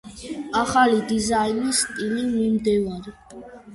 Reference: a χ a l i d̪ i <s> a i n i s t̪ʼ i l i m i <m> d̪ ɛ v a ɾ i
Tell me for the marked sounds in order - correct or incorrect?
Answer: incorrect, correct

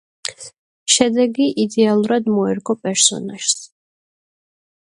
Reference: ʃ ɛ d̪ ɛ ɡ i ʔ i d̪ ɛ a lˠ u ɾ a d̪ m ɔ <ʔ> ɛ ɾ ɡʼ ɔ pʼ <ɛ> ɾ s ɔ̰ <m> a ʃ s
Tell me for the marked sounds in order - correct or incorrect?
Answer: incorrect, correct, incorrect

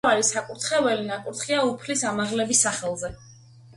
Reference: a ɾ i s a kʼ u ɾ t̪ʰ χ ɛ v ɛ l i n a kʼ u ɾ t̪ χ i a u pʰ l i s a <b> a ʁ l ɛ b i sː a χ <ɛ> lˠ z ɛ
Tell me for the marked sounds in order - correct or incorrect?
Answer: incorrect, correct

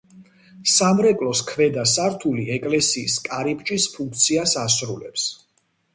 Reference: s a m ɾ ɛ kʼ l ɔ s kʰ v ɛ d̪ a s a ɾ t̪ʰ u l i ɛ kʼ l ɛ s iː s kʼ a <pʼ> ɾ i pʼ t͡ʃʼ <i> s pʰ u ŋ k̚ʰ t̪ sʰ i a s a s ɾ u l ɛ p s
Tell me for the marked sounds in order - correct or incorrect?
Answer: incorrect, correct

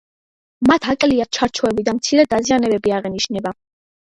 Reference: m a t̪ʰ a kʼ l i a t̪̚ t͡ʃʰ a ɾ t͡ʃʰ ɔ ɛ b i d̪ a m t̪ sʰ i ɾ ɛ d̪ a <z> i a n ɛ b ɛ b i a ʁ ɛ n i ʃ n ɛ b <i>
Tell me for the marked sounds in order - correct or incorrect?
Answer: correct, incorrect

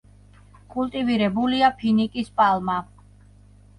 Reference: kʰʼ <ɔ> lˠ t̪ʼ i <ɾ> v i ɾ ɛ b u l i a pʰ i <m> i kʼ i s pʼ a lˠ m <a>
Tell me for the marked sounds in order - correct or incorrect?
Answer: incorrect, incorrect, incorrect, correct

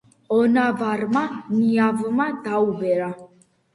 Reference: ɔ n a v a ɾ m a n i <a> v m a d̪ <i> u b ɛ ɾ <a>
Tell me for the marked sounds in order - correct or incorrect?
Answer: correct, incorrect, correct

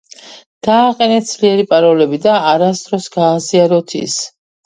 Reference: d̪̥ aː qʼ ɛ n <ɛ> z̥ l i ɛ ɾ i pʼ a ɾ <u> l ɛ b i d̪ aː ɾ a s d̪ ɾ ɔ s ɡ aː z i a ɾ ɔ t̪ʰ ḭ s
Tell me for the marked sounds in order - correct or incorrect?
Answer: correct, incorrect

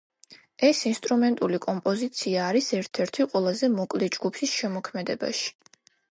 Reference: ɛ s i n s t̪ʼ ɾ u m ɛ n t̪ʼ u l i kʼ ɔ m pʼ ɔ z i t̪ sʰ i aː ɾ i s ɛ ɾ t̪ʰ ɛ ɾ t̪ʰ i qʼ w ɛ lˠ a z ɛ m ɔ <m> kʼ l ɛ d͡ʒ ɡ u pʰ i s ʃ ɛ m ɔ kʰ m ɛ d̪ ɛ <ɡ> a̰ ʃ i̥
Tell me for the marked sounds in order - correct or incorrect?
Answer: incorrect, incorrect

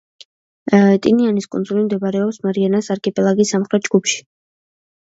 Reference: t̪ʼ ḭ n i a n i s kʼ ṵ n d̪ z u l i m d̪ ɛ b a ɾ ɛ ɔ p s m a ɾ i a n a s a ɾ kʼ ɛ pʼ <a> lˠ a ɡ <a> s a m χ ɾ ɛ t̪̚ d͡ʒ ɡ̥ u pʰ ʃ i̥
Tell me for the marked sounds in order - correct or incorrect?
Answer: incorrect, incorrect

